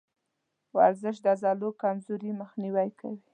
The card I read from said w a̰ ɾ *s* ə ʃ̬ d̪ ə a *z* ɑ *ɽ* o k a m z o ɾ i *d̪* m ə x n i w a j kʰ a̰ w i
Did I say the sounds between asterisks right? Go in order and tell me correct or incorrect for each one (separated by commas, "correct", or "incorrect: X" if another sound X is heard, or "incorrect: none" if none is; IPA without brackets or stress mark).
incorrect: z, correct, incorrect: l, incorrect: none